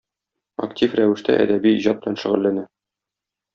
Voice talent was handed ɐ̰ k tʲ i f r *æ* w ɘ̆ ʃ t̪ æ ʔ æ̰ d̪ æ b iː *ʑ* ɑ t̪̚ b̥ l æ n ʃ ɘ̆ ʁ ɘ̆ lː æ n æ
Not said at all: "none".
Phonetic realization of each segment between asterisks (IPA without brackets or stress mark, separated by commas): æ, ʑ